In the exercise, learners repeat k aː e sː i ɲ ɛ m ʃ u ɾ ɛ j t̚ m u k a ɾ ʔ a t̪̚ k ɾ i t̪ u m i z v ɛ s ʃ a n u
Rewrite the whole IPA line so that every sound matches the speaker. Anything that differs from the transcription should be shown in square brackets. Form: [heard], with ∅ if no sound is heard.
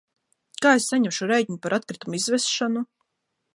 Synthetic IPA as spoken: k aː e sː [a] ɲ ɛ m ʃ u ɾ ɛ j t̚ [ɲ] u [p] a ɾ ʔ a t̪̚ k ɾ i t̪ u m i z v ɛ s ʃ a n u